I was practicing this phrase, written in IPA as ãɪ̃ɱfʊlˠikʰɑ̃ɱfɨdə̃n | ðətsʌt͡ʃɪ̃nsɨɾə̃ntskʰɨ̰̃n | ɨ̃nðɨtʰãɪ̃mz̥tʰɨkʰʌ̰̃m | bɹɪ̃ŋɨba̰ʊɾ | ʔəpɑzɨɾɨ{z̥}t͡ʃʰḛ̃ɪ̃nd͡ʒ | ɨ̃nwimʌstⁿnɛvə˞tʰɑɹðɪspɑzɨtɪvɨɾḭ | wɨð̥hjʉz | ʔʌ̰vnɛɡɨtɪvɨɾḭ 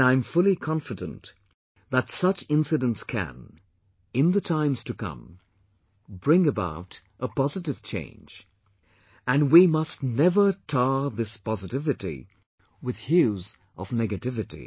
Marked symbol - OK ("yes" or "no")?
no